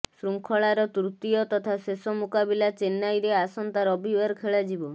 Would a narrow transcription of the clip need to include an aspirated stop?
yes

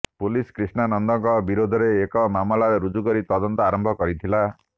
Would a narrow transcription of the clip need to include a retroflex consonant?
no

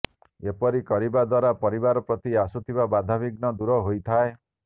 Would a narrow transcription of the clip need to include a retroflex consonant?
no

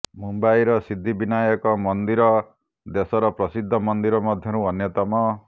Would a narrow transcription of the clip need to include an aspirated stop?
no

